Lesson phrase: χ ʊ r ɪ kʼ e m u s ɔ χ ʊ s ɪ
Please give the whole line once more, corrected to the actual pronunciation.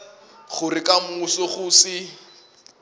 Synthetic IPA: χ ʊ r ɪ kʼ a m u s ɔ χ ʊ s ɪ

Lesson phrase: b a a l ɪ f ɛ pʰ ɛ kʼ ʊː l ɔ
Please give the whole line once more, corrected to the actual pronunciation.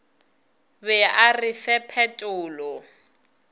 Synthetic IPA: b ɛ a r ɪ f ɛ pʰ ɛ tʼ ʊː l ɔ

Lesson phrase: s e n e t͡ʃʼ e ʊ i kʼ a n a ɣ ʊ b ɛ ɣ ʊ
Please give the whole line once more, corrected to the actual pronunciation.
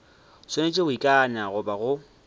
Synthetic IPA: s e n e t͡ʃʼ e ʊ i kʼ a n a ɣ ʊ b a ɣ ʊ

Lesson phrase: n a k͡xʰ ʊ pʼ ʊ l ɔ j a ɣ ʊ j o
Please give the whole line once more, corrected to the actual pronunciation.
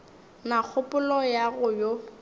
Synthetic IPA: n a k͡xʰ ʊ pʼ ʊ l ɔ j a ɣ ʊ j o

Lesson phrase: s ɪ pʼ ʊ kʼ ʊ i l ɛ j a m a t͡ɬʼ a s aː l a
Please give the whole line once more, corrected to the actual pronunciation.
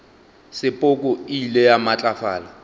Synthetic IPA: s ɪ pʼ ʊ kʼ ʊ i l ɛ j a m a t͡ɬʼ a f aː l a

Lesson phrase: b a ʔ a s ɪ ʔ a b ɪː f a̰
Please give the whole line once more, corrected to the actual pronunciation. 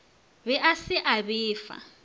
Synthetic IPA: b ɛ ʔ a s ɪ ʔ a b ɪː f a̰

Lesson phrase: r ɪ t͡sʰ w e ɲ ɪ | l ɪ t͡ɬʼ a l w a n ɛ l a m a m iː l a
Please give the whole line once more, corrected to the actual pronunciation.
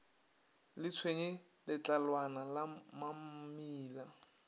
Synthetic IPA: l ɪ t͡sʰ w e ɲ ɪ | l ɪ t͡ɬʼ a l w a n a l a m a m iː l a

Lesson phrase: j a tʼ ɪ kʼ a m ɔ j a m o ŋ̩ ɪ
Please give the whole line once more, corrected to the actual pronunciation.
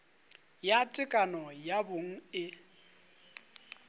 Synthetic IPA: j a tʼ ɪ kʼ a n ɔ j a b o ŋ̩ ɪ

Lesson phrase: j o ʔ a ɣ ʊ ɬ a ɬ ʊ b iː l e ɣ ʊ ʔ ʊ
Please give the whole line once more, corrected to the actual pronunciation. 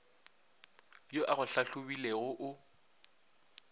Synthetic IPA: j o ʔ a ɣ ʊ ɬ a ɬ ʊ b i l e ɣ ʊ ʔ ʊ

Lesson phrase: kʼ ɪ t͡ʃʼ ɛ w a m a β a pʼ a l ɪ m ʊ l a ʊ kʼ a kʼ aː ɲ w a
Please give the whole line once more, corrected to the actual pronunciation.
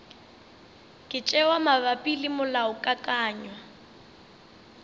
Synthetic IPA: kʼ ɪ t͡ʃʼ ɛ w a m a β a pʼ i l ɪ m ʊ l a ʊ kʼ a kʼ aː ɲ w a

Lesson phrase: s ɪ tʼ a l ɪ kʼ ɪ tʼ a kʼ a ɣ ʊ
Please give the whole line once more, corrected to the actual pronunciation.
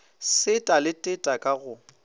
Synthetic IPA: s ɪ tʼ a l ɪ tʼ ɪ tʼ a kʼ a ɣ ʊ

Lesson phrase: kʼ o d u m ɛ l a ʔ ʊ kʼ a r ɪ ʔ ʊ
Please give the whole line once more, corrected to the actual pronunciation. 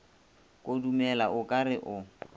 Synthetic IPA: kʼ o d u m ɛ l a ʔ ʊ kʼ a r ɪ ʔ ʊ

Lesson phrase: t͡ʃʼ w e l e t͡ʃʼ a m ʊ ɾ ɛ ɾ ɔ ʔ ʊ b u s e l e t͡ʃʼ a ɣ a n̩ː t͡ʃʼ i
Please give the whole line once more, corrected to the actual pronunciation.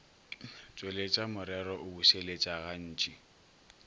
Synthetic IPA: t͡ʃʼ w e l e t͡ʃʼ a m ʊ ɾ ɛ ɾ ɔ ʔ ʊ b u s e l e t͡ʃʼ a ɣ a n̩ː t͡ʃʼ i

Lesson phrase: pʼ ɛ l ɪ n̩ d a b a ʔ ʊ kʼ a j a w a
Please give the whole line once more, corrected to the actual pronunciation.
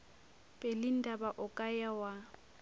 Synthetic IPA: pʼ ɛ l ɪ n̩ d a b a ʔ ʊ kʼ a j a w a

